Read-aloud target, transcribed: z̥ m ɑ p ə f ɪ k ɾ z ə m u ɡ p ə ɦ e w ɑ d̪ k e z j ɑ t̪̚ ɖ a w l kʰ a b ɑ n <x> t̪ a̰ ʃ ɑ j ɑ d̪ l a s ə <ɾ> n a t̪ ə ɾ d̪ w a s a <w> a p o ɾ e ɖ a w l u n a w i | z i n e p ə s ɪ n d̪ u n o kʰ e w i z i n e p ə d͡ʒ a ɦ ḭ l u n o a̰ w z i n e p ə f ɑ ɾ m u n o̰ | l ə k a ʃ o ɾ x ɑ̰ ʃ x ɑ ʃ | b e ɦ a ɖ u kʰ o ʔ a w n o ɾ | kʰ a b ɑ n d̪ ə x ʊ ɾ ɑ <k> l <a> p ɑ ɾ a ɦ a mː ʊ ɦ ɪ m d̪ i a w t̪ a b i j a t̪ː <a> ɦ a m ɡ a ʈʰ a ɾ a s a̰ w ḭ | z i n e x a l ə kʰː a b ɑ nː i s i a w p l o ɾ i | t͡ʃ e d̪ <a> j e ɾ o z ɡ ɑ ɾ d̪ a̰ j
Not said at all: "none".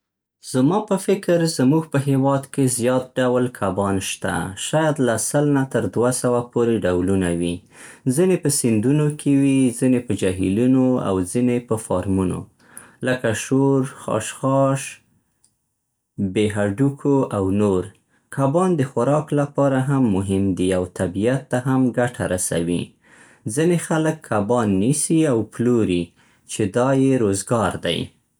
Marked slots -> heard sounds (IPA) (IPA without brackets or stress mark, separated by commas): ʃ, l, w, k, a, a, ɑ